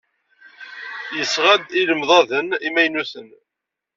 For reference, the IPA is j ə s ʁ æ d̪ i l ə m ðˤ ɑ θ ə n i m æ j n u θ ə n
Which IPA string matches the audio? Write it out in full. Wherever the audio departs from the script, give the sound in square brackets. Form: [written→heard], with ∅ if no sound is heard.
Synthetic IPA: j ə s ʁ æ d̪ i l ə m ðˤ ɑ [θ→ð] ə n i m æ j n u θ ə n